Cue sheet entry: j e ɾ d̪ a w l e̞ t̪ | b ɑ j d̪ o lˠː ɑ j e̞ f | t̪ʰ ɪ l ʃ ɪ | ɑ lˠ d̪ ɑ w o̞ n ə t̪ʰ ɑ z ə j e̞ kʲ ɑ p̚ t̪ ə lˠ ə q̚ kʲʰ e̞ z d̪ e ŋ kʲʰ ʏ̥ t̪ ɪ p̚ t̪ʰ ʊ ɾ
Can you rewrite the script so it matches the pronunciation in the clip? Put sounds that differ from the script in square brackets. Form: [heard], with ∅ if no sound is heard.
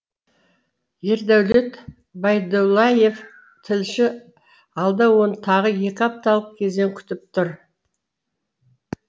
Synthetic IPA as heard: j e ɾ d̪ [æ] w l e̞ t̪ | b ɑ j d̪ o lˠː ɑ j e̞ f | t̪ʰ ɪ l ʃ ɪ | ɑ lˠ d̪ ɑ w o̞ n ə t̪ʰ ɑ [ʁ] ə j e̞ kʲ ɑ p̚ t̪ [ɑ] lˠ ə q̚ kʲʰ e̞ z d̪ e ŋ kʲʰ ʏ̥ t̪ ɪ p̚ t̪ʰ ʊ ɾ